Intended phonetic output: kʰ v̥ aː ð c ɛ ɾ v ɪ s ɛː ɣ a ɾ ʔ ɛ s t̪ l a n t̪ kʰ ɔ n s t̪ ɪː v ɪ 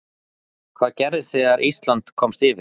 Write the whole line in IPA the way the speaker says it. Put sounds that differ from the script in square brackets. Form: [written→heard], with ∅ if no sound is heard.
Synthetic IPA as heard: kʰ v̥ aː ð c ɛ ɾ [v→ð] ɪ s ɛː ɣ a ɾ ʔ [ɛ→i] s t̪ l a n t̪ kʰ ɔ [n→m] s t̪ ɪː v ɪ